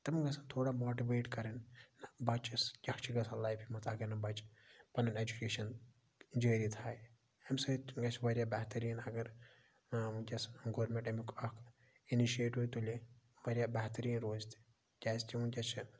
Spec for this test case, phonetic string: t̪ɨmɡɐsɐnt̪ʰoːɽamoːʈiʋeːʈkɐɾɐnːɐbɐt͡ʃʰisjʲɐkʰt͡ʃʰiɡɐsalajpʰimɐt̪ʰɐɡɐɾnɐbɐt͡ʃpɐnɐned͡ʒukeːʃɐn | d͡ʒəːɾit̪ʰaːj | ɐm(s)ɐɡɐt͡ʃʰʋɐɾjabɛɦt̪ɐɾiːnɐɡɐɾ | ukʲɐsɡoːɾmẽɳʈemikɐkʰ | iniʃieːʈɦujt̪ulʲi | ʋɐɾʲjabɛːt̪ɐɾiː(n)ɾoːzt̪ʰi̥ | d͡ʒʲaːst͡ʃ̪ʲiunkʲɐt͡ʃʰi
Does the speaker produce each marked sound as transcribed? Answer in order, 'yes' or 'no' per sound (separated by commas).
yes, yes